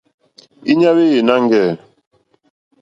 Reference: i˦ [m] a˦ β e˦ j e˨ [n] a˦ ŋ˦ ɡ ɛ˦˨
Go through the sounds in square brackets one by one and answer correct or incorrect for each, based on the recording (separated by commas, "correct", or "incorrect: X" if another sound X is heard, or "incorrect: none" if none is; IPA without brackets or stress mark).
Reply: incorrect: ɲ, correct